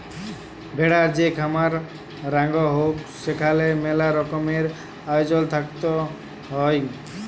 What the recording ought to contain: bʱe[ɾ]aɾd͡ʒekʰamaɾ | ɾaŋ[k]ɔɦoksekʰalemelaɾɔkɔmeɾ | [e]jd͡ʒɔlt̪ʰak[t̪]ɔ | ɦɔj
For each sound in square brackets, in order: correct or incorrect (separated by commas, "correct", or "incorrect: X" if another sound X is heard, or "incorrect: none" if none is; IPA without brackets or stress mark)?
incorrect: ɽ, incorrect: ɡ, incorrect: a, correct